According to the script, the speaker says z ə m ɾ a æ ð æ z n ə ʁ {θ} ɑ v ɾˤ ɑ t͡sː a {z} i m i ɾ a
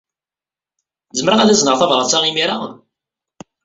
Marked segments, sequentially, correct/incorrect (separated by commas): correct, incorrect